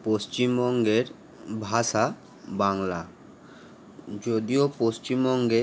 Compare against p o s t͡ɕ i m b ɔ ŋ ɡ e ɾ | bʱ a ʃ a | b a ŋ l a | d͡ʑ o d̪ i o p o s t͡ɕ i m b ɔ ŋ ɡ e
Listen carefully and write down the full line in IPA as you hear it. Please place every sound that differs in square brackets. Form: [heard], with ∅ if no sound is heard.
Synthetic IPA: p o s t͡ɕ i m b ɔ ŋ ɡ e ɾ | bʱ a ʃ a | b a ŋ l a | d͡ʑ o d̪ i o p o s t͡ɕ i m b ɔ ŋ ɡ e